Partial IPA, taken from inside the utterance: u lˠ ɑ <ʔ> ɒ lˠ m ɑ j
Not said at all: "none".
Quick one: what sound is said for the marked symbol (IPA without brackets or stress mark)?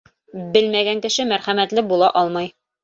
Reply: ʔ